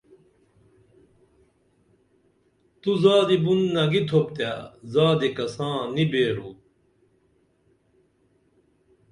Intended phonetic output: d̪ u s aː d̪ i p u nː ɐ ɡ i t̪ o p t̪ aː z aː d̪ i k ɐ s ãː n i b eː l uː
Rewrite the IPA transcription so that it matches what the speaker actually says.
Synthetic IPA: t̪ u z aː d̪ i b u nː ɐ ɡ i t̪ʰ o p t̪ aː z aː d̪ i k ɐ s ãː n i b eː ɾ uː